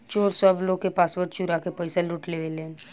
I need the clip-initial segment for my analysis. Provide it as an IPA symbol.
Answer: t͡ʃ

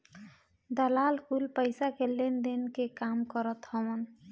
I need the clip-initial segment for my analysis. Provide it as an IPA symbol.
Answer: d̪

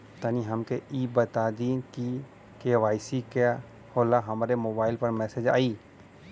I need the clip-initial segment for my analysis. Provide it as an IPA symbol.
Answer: t̪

